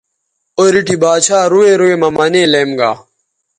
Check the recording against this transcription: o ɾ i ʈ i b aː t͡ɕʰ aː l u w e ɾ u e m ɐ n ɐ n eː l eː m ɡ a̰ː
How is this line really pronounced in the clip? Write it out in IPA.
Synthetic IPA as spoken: o ɾ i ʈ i b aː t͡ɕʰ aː ɾ u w e ɾ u e m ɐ m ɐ n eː l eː m ɡ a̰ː